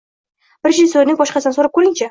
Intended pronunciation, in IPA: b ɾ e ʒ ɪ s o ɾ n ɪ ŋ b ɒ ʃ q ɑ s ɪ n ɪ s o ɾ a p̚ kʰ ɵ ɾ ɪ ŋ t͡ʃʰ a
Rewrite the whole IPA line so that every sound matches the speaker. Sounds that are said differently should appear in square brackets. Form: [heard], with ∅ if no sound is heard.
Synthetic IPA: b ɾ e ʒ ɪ s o ɾ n ɪ ŋ b ɒ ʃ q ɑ s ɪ n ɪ s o ɾ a p̚ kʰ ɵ ɾ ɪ ŋ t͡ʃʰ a